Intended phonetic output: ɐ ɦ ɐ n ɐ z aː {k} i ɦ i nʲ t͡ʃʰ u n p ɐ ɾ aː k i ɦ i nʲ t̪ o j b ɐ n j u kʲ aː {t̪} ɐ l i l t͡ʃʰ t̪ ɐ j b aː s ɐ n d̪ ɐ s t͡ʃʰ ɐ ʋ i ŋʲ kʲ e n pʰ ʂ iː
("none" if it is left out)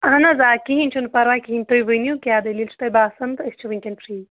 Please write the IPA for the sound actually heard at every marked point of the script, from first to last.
k, d̪

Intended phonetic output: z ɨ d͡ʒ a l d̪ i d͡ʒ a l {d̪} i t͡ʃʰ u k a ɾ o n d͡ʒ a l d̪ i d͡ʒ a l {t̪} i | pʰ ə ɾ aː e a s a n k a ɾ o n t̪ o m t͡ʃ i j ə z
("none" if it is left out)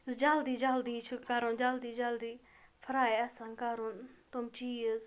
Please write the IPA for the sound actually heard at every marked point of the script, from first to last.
d̪, d̪

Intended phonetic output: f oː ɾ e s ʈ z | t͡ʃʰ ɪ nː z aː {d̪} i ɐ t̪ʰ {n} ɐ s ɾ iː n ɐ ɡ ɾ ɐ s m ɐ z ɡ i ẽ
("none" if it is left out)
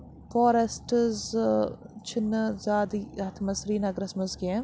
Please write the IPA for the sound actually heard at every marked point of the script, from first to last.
d̪, m

